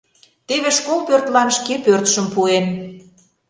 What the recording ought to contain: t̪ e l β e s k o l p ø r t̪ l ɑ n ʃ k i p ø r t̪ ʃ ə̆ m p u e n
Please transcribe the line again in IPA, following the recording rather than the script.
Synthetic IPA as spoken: t̪ e β e ʃ k o l p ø r t̪ l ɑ n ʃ k e p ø r t̪ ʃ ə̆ m p u e n